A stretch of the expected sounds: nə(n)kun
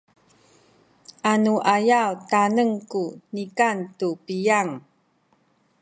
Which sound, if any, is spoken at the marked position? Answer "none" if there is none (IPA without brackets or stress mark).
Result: ŋ